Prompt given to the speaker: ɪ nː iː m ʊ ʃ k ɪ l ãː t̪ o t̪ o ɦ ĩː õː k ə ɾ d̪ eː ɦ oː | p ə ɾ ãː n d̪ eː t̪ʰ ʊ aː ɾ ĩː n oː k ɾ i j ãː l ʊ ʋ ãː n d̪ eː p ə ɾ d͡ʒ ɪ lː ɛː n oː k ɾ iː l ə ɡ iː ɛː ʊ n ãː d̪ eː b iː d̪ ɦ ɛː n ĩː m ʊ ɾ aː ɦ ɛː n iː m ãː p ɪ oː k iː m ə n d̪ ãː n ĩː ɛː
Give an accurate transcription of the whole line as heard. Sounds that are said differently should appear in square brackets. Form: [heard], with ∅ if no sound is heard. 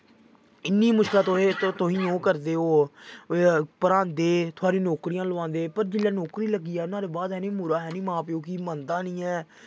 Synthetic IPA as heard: ɪ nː iː m ʊ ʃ k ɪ l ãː t̪ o t̪ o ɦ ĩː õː k ə ɾ d̪ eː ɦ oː | p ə ɾ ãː n d̪ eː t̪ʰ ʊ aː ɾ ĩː n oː k ɾ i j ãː l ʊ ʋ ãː n d̪ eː p ə ɾ d͡ʒ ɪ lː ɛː n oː k ɾ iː l ə ɡ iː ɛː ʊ n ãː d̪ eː b [aː] d̪ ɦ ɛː n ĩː m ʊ ɾ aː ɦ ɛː n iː m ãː p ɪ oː k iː m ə n d̪ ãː n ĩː ɛː